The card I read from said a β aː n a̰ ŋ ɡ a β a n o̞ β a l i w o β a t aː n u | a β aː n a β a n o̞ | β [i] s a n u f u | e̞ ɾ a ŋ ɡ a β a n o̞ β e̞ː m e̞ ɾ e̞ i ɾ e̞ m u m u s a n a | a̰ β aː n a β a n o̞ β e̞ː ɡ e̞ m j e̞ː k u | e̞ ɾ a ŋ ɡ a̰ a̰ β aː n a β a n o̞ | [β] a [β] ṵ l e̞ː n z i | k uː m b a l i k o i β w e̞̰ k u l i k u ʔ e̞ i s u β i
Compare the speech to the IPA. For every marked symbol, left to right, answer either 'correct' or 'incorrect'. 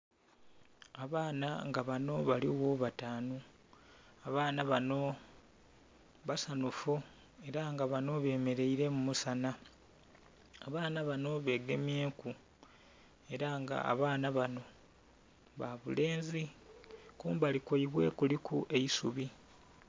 incorrect, correct, correct

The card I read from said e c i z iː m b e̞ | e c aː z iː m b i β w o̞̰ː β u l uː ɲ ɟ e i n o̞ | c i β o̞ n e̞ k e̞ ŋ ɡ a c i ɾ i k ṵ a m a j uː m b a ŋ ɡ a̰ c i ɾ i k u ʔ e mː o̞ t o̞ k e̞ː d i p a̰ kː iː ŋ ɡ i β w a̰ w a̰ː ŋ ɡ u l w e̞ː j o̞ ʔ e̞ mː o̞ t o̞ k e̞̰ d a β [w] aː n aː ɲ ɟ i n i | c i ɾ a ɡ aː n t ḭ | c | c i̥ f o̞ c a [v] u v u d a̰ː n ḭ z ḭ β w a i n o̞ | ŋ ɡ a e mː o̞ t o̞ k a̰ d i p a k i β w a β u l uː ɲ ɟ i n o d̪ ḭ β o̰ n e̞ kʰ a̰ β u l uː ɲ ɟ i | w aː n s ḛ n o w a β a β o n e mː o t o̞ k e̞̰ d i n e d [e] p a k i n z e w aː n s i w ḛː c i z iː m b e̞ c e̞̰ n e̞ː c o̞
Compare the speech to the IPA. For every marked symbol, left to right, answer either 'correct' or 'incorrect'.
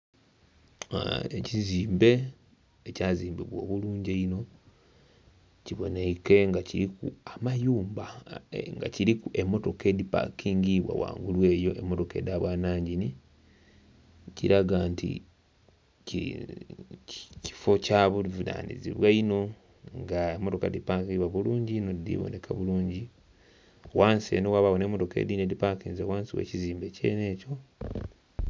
correct, incorrect, incorrect

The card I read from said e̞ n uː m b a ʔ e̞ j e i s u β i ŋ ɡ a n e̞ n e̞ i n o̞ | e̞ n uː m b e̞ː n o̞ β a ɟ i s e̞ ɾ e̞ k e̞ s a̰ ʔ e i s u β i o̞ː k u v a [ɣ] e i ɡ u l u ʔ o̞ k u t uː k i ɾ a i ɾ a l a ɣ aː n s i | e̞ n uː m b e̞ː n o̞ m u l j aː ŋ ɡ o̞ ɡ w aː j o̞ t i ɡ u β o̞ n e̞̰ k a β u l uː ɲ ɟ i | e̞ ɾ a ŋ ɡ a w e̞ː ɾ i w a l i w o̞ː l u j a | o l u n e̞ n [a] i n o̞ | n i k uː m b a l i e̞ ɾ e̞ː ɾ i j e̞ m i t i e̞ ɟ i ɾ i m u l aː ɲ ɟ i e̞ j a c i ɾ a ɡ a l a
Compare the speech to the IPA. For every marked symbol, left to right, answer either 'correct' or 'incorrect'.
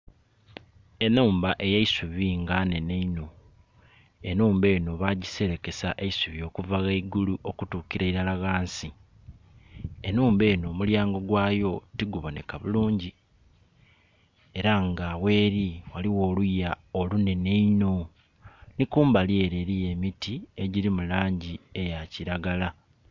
correct, incorrect

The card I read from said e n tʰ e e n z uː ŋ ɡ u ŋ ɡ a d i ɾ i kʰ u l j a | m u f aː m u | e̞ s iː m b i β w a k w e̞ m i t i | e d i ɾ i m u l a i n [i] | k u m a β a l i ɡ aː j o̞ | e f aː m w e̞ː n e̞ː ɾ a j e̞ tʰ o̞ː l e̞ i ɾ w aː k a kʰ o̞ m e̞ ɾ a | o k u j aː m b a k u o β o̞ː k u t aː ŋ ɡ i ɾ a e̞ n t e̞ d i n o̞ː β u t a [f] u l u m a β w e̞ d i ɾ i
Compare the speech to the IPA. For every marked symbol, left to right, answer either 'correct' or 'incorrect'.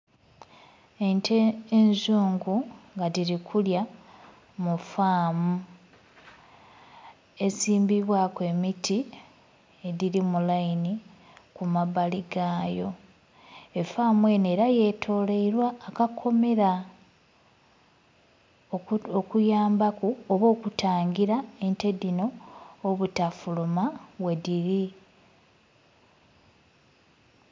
correct, correct

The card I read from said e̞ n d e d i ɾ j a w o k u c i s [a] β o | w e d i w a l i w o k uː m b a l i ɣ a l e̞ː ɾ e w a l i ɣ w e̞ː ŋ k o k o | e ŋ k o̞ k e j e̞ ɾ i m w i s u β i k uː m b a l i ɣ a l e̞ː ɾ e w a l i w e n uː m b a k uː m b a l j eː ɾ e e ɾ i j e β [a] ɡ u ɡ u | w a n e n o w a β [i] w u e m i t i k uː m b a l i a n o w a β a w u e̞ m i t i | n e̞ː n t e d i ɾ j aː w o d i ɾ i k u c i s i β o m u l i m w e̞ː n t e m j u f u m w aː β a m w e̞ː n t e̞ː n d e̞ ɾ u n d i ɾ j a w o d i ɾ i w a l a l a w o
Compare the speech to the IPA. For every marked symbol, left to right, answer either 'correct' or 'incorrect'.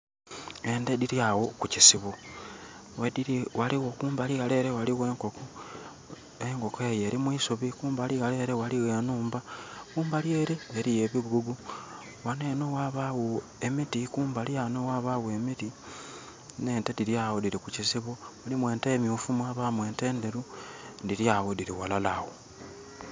incorrect, incorrect, incorrect

